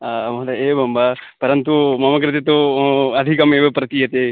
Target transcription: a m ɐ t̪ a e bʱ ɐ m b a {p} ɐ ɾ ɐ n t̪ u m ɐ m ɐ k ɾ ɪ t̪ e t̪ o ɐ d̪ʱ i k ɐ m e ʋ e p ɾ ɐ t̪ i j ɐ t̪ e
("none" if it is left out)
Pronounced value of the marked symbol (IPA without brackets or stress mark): p